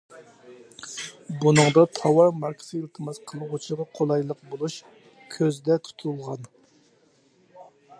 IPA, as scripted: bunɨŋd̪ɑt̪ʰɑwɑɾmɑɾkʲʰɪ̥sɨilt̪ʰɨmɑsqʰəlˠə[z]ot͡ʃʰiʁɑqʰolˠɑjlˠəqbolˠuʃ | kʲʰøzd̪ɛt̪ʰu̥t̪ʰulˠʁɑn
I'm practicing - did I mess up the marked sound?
yes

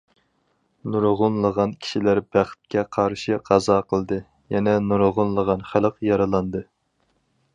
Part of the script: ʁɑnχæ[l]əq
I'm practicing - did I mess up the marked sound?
no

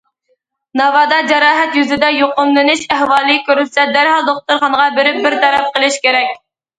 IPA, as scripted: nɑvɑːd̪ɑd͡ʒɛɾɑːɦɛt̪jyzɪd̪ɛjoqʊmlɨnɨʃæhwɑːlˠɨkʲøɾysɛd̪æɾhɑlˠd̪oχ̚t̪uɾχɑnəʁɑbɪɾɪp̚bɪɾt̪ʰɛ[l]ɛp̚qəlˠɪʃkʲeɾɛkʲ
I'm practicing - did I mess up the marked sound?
yes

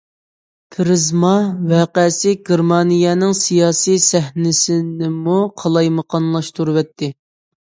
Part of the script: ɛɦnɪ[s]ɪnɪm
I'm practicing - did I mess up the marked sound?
no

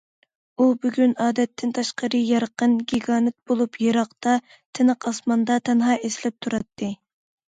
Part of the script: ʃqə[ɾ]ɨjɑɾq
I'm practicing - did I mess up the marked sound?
no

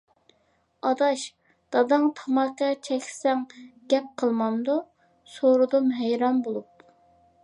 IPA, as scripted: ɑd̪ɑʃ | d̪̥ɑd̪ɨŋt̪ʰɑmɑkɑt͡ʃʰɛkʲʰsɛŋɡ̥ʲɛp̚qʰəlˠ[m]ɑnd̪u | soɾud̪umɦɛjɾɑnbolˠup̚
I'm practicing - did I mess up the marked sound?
no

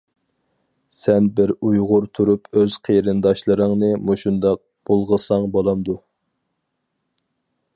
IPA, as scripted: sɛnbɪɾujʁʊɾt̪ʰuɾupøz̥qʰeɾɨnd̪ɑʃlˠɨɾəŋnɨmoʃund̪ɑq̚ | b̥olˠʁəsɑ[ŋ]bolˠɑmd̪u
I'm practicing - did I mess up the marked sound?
no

